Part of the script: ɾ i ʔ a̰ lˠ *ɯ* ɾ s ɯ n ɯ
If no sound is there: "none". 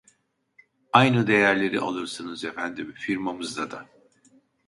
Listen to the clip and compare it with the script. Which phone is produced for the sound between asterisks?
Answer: ɯ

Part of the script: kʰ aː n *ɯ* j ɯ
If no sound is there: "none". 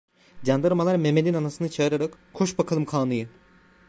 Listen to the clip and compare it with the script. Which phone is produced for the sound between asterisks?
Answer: ɯ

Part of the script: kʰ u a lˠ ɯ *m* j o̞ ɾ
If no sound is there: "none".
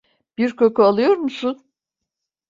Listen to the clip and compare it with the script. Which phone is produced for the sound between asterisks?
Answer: none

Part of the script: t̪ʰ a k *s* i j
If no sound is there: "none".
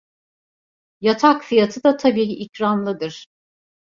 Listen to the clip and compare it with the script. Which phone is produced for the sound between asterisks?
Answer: f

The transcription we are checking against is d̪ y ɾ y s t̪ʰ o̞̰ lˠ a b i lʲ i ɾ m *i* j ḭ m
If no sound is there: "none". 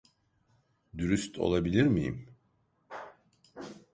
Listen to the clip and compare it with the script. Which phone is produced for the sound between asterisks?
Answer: i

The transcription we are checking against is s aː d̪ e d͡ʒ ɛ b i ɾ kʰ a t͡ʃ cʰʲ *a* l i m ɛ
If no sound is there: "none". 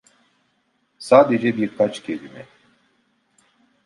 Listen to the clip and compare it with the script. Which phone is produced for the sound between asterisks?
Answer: e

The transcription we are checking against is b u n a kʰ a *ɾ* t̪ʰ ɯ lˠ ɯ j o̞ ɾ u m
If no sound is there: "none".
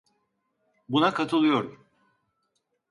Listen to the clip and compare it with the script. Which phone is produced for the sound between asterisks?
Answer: none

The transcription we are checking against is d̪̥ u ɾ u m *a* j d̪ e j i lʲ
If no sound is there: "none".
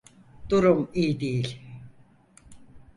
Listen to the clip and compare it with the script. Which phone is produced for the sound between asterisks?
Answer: i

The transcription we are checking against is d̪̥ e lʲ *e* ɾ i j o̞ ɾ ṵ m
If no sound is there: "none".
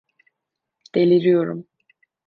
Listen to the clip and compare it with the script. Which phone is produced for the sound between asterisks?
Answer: i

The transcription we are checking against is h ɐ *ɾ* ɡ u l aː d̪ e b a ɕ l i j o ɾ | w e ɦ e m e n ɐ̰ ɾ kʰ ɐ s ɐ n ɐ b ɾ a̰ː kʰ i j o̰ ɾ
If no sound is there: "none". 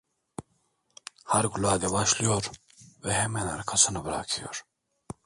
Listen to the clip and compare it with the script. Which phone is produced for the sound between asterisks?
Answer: ɾ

